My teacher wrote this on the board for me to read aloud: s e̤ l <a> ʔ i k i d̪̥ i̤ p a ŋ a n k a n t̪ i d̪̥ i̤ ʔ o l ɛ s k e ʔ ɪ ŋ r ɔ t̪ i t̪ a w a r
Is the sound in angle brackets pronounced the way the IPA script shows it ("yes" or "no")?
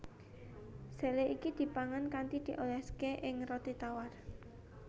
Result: no